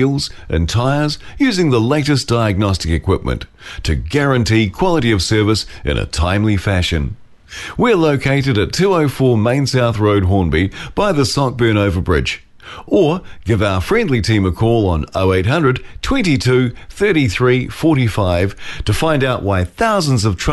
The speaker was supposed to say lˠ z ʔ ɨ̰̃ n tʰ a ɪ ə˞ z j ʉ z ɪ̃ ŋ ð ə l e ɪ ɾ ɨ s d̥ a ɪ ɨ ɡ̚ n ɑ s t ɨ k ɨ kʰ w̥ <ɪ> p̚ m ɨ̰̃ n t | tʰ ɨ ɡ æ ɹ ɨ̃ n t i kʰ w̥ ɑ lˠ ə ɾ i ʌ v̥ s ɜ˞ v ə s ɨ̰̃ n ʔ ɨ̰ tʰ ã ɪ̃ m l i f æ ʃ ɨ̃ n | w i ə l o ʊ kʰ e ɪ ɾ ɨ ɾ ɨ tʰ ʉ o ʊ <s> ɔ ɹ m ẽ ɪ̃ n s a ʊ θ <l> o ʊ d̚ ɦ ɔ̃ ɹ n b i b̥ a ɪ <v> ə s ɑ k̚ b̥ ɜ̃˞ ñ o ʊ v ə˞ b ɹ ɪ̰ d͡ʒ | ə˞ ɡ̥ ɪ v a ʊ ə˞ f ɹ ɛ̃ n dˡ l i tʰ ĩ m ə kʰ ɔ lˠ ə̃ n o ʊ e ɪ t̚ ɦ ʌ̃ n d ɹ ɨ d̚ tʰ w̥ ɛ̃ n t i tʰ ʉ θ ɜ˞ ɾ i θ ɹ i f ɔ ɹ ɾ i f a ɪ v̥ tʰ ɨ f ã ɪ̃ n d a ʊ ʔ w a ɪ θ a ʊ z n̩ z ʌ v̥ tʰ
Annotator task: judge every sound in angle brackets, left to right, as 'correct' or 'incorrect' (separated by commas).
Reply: correct, incorrect, incorrect, incorrect